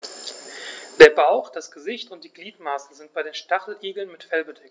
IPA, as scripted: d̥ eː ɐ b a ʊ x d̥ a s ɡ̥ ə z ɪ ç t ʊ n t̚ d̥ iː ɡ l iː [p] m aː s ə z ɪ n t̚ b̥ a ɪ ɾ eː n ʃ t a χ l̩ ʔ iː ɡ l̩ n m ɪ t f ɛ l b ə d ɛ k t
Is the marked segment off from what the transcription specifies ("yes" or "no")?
yes